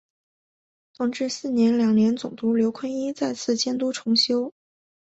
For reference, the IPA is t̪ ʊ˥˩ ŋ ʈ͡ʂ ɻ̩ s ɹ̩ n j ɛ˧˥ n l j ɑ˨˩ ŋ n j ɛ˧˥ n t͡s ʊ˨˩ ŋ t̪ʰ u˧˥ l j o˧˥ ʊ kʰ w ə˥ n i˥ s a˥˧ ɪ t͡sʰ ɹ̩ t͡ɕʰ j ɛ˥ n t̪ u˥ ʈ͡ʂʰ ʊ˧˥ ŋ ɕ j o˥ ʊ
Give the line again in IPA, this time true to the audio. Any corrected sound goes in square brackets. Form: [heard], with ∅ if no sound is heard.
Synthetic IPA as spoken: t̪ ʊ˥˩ ŋ ʈ͡ʂ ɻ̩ s ɹ̩ n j ɛ˧˥ n l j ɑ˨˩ ŋ n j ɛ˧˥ n t͡s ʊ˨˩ ŋ [t̪] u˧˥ l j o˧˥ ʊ kʰ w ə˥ n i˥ [t͡s] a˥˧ ɪ t͡sʰ ɹ̩ [t͡ɕ] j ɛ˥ n t̪ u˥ ʈ͡ʂʰ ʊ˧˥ ŋ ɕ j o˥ ʊ